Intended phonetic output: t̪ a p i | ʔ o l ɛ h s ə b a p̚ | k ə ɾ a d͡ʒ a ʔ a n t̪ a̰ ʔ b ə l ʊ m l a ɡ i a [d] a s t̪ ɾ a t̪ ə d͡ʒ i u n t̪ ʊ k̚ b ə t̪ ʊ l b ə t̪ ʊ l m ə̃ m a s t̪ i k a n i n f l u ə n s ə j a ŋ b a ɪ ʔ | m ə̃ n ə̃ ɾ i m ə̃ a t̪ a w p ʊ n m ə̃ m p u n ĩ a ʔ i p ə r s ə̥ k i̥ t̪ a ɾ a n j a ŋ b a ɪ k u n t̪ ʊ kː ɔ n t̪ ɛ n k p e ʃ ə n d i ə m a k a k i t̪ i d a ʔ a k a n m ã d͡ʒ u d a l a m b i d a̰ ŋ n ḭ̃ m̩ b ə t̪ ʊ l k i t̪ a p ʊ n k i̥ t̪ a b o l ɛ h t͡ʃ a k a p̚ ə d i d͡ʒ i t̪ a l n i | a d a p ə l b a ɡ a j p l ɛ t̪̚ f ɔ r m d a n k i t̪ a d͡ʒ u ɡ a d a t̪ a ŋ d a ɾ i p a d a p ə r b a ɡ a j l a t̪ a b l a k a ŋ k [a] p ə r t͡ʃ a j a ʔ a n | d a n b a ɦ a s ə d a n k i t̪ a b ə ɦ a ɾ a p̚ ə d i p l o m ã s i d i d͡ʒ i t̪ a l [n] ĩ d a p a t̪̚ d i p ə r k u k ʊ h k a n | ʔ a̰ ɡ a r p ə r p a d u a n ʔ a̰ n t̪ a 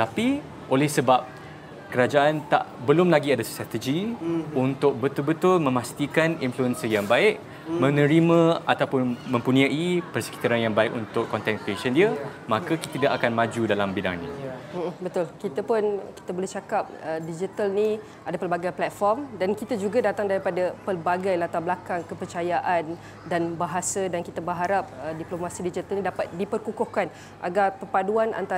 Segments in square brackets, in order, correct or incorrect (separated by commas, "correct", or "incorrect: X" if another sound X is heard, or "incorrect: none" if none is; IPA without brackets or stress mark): correct, incorrect: ə, correct